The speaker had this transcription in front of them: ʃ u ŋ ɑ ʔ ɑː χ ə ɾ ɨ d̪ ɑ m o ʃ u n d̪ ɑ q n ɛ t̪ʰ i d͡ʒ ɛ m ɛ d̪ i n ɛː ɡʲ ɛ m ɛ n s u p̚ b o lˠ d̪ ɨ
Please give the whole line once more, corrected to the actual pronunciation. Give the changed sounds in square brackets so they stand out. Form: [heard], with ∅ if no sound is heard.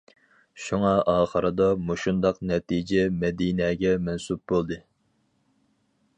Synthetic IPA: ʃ u ŋ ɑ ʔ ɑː χ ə ɾ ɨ d̪ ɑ m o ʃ u n d̪ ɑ q n ɛ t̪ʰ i d͡ʒ ɛ m ɛ d̪ i n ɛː ɡʲ ɛ m ɛ n s u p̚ b o lˠ d̪ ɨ